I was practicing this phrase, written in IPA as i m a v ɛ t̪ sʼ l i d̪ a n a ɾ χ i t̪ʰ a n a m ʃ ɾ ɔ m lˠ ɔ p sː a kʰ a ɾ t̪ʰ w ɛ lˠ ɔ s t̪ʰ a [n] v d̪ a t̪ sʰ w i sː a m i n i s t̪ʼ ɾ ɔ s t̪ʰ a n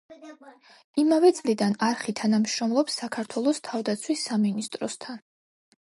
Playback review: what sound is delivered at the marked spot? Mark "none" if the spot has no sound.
none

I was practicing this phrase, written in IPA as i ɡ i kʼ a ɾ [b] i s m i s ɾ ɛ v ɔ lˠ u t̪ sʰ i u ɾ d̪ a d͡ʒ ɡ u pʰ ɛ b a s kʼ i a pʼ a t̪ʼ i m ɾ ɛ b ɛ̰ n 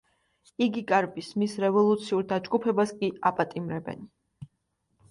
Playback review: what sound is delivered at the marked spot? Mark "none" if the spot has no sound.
b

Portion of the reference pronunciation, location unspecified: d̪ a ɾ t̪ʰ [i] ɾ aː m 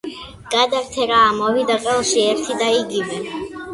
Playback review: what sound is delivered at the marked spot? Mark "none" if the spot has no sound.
ɛ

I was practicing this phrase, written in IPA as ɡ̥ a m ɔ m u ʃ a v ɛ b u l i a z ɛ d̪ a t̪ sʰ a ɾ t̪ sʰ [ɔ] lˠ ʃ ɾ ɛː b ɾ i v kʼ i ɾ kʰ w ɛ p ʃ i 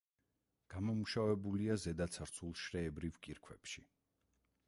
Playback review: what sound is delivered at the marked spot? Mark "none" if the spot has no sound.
u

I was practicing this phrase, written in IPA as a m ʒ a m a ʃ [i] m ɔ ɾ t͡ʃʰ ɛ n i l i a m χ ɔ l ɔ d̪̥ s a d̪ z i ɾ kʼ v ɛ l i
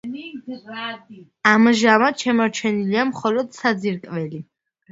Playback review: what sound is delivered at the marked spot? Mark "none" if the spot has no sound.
ɛ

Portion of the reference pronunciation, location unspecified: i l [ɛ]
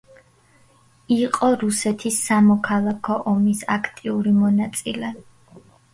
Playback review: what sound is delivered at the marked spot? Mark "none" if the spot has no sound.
ɛ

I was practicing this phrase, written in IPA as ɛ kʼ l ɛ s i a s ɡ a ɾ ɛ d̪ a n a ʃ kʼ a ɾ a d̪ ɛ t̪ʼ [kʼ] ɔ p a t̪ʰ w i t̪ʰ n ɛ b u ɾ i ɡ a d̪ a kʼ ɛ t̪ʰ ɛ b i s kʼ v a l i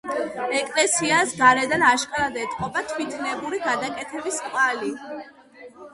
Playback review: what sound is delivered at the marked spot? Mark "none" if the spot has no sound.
qʼ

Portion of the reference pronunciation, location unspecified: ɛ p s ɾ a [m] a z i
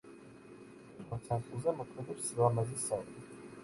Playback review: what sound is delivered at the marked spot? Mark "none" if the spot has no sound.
m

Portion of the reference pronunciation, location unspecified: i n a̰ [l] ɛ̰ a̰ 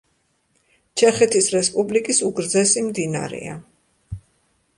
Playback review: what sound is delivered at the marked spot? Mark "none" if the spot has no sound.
ɾ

